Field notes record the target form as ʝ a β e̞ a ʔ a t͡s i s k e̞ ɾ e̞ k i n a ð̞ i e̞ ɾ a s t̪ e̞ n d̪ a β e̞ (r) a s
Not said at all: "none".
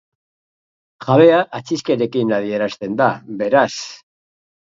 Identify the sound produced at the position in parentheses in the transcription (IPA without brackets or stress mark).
ɾ